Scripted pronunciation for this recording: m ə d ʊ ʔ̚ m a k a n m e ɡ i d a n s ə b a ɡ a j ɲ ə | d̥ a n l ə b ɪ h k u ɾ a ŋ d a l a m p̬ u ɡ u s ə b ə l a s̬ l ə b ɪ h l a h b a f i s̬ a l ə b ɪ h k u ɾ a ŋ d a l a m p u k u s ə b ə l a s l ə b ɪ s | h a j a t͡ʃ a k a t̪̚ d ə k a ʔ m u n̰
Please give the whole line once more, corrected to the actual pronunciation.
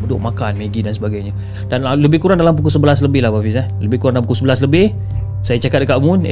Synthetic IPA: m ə d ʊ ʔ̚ m a k a n m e ɡ i d a n s ə b a ɡ a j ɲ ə | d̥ a n l ə b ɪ h k u ɾ a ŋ d a l a m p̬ u k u s ə b ə l a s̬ l ə b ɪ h l a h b a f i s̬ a l ə b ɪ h k u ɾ a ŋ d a l a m p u k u s ə b ə l a s l ə b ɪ h | s a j a t͡ʃ a k a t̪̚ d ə k a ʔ m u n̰